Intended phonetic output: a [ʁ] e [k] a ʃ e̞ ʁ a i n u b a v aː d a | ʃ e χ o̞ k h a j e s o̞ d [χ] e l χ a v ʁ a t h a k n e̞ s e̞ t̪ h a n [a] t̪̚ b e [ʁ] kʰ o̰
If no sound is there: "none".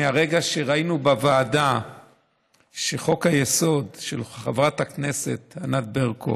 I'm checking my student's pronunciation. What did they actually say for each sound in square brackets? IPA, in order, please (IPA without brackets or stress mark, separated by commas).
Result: ʁ, ɡ, ʃ, a, ʁ